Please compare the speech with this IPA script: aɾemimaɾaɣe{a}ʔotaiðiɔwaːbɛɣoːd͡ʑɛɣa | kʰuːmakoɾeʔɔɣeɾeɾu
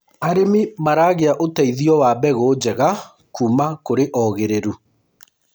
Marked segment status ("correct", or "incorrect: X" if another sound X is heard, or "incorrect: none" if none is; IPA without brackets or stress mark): correct